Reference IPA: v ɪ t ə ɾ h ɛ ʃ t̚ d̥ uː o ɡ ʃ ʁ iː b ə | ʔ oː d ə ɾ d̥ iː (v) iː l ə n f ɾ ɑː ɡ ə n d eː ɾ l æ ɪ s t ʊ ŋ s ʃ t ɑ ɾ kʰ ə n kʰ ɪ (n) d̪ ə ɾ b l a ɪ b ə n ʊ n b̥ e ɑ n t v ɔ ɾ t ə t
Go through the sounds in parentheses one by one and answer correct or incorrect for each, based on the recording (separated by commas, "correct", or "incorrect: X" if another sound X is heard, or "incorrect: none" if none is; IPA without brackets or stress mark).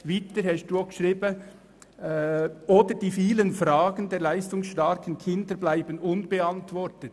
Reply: incorrect: f, correct